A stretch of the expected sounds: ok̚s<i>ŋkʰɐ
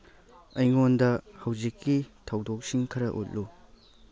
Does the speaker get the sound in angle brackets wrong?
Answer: no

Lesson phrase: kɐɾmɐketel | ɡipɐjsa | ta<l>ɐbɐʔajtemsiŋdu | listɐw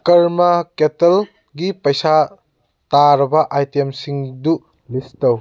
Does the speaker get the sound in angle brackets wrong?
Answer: yes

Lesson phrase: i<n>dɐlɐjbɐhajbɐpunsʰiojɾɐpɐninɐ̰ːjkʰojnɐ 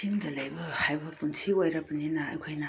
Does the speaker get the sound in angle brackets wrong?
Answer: yes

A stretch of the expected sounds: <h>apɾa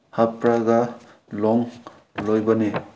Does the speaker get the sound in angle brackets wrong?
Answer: no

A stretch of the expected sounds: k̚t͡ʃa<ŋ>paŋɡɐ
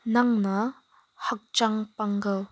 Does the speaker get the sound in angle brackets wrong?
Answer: no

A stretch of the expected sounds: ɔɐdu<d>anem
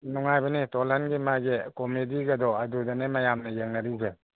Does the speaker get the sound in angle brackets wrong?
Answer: no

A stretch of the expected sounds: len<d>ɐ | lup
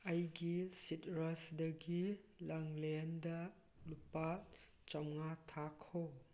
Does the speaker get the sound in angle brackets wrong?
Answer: no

